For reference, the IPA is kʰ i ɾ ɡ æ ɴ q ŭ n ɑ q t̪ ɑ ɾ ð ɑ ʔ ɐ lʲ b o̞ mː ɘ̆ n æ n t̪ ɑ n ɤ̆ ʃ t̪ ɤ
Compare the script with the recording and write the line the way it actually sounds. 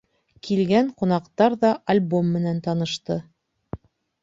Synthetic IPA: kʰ i l ɡ æ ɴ q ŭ n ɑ q t̪ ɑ ɾ ð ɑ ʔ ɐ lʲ b o̞ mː ɘ̆ n æ n t̪ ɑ n ɤ̆ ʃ t̪ ɤ